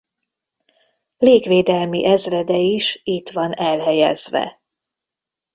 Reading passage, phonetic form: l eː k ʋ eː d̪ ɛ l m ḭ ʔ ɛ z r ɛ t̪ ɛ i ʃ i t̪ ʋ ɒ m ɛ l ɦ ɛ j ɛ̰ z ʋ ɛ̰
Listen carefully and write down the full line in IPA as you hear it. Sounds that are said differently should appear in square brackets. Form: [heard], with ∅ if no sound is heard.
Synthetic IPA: l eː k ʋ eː d̪ ɛ l m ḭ ʔ ɛ z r ɛ [d̪] ɛ i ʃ i t̪ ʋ ɒ [n] ɛ l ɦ ɛ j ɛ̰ z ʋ ɛ̰